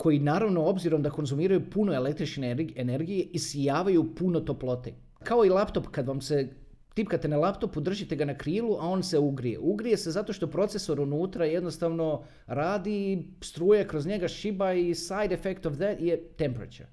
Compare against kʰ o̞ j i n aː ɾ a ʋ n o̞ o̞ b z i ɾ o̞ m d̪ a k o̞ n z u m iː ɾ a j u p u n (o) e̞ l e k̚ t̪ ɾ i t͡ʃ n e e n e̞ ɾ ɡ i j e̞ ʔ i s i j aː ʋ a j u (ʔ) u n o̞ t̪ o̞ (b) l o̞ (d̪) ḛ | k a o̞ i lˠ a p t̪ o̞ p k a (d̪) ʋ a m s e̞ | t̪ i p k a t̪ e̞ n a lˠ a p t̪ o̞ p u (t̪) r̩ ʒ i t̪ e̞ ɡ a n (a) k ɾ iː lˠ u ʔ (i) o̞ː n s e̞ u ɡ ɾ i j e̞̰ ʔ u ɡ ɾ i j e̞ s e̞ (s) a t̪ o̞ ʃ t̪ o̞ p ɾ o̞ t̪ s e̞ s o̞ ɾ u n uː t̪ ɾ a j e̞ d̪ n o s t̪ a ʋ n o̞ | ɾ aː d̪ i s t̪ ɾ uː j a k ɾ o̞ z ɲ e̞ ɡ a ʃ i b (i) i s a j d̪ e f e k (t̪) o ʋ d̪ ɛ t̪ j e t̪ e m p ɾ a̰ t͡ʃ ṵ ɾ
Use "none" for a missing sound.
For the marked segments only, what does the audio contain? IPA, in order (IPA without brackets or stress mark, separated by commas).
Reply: o, p, p, t̪, d̪, d̪, a, a, z, a, t̪